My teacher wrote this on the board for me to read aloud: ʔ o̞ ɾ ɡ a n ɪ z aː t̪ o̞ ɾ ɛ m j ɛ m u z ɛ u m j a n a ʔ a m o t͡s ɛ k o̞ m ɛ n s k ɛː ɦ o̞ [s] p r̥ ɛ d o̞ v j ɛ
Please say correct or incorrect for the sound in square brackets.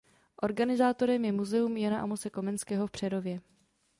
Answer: incorrect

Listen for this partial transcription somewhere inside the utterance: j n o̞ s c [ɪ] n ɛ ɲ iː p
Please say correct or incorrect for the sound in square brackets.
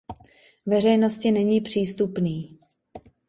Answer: correct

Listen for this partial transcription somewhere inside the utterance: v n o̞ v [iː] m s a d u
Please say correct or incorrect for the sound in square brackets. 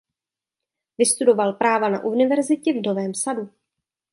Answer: incorrect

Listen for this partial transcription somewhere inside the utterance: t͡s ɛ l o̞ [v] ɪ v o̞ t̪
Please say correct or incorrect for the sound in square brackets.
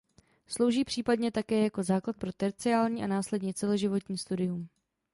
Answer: incorrect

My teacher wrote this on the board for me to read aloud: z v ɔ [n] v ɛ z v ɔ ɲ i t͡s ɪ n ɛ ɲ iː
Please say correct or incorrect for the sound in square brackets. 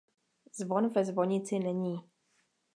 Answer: correct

